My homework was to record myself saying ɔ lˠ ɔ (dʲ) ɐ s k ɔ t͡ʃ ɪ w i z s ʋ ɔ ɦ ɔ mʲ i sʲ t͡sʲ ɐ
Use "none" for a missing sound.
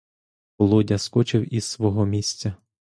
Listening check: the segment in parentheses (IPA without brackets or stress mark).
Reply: dʲ